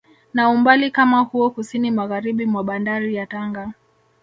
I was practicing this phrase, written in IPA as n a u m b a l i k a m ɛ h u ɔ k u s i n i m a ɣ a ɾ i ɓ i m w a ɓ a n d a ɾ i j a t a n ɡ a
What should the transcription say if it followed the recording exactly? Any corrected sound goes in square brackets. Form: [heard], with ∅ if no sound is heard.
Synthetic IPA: n a u m b a l i k a m [a] h u ɔ k u s i n i m a ɣ a ɾ i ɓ i m w a ɓ a n d a ɾ i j a t a [ŋ] ɡ a